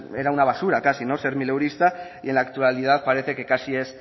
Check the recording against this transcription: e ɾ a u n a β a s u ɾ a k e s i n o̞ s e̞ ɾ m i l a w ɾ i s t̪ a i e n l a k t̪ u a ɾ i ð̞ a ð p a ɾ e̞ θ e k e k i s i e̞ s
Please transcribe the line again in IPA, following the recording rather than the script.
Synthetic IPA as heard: e ɾ a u n a β a s u ɾ a k a s i n o̞ s e̞ ɾ m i l e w ɾ i s t̪ a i e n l a k t̪ u a l i ð̞ a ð p a ɾ e̞ θ e k e k a s i e̞ s